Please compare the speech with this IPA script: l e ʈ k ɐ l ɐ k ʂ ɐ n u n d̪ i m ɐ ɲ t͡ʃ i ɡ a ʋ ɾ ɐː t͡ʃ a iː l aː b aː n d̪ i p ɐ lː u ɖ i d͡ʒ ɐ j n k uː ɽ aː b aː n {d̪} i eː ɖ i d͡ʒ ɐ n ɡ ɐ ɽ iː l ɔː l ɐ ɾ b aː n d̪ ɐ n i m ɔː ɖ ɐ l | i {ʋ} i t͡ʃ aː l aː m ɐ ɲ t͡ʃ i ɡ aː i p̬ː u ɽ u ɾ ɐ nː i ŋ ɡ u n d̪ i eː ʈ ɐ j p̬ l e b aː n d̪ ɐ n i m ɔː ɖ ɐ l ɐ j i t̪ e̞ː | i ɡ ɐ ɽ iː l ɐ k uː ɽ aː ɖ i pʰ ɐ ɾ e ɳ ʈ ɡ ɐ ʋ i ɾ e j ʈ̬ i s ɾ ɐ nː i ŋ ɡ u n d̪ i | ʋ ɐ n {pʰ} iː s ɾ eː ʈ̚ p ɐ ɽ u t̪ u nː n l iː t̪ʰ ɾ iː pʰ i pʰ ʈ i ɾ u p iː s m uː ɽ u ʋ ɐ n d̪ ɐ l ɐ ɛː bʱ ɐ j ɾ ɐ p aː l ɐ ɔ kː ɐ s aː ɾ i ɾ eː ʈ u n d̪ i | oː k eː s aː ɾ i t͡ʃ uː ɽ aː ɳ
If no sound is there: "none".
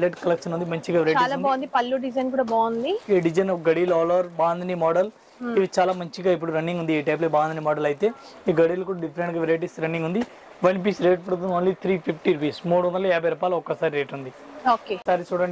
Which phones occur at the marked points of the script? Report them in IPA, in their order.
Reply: d̪, ʋ, p

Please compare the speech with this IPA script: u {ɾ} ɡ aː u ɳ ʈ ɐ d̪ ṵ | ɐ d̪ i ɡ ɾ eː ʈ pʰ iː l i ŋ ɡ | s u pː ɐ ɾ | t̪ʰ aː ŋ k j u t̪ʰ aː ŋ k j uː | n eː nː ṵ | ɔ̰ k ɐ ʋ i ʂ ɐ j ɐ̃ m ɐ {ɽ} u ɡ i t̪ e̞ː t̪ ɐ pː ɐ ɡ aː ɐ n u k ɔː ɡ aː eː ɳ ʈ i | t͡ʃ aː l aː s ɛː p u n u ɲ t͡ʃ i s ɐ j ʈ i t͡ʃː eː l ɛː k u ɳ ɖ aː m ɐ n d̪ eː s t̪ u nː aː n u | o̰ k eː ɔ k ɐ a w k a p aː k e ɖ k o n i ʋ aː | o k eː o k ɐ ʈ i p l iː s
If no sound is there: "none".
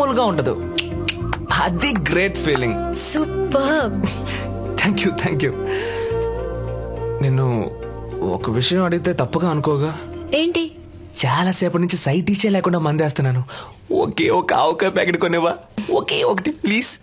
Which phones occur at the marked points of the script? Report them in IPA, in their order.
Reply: l, ɽ

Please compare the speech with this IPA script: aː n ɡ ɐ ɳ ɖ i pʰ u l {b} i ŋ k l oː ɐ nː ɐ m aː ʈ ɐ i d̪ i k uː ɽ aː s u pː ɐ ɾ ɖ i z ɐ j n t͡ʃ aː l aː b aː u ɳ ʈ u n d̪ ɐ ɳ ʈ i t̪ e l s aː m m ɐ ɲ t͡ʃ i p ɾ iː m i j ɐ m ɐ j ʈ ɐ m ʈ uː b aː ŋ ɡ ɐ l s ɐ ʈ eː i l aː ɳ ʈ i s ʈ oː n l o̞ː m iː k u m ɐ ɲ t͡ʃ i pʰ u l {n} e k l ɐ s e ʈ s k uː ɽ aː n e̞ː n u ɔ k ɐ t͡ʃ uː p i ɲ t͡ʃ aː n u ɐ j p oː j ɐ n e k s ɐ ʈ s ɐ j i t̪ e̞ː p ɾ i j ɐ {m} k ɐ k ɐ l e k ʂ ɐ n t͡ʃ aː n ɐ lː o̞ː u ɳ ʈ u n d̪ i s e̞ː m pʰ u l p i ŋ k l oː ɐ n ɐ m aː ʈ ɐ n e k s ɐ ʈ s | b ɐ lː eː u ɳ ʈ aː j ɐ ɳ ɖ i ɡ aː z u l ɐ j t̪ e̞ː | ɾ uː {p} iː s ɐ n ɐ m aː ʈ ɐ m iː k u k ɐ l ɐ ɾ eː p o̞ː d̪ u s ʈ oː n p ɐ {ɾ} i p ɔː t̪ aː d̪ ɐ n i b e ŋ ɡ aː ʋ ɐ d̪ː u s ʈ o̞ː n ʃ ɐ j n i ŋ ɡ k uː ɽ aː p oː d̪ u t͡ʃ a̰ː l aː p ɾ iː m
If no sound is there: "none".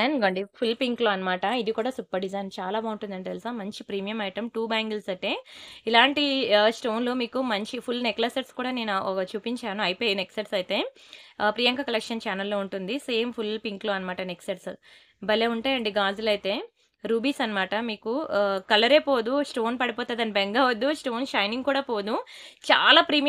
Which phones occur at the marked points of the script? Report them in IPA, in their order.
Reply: p, n, ŋ, b, ɽ

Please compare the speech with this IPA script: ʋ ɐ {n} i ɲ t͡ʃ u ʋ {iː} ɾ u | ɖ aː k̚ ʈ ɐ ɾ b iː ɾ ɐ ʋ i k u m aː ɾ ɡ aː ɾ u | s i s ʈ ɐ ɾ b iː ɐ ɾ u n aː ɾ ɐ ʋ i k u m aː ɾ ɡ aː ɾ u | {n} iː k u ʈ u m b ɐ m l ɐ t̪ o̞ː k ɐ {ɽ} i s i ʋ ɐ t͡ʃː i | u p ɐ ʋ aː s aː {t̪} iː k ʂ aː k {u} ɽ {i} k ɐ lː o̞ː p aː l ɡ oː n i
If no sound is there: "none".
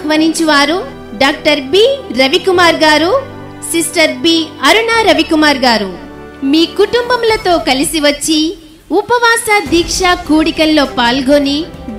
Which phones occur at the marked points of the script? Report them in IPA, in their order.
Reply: n, aː, m, l, d̪, uː, i

